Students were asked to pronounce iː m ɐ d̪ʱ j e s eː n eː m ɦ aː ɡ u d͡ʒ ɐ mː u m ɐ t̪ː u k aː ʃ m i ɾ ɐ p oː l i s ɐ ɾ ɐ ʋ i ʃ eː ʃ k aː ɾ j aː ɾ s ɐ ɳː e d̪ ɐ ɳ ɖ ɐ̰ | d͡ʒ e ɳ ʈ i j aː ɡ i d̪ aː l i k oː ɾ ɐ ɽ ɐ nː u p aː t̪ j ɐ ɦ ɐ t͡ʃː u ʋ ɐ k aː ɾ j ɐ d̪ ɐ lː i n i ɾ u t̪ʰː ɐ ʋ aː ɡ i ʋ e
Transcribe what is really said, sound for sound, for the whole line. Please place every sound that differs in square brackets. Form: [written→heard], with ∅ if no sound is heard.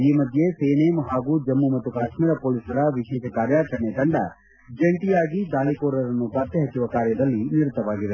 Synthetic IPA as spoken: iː m ɐ d̪ʱ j e s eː n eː m ɦ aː ɡ u d͡ʒ ɐ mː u m ɐ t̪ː u k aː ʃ m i ɾ ɐ p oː l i s ɐ ɾ ɐ ʋ i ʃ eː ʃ k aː ɾ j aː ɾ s ɐ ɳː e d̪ ɐ ɳ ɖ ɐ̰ | d͡ʒ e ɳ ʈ i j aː ɡ i d̪ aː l i k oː ɾ ɐ [ɽ→ɾ] ɐ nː u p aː t̪ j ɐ ɦ ɐ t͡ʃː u ʋ ɐ k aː ɾ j ɐ d̪ ɐ lː i n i ɾ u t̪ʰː ɐ ʋ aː ɡ i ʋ e